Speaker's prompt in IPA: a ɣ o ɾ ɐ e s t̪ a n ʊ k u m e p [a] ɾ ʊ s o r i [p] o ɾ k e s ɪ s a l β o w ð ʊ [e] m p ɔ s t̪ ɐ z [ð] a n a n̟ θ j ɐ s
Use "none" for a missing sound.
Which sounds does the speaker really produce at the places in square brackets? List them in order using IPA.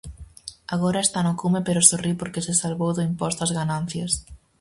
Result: e, p, i, ɣ

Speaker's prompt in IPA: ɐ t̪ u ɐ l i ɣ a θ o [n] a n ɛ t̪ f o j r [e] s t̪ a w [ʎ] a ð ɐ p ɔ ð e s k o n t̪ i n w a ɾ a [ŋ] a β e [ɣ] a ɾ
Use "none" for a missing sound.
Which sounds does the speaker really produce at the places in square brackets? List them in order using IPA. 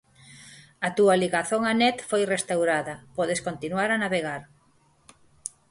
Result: ŋ, e, ɾ, n, ɣ

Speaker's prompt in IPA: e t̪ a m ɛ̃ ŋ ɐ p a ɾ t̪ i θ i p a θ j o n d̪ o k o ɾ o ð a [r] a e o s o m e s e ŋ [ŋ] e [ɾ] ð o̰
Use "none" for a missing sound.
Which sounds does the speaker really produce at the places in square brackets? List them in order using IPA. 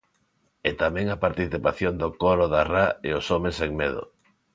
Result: r, m, none

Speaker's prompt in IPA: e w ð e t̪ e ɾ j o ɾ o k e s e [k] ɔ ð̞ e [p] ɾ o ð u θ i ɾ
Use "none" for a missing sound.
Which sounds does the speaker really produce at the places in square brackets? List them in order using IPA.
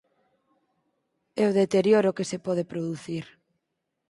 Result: p, p

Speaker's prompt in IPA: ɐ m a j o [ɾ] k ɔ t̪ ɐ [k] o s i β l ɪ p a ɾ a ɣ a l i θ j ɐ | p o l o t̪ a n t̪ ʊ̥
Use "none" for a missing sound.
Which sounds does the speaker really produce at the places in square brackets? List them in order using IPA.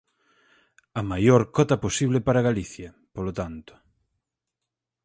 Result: ɾ, p

